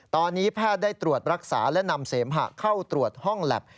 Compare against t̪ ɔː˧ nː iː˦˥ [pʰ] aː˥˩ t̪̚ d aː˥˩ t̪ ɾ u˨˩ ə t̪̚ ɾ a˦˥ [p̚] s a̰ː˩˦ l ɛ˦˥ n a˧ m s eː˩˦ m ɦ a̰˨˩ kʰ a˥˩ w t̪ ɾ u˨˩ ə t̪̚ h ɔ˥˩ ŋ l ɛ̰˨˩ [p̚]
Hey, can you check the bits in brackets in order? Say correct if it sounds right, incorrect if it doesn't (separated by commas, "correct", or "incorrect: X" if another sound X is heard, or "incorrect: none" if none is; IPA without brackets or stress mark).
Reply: correct, incorrect: k̚, correct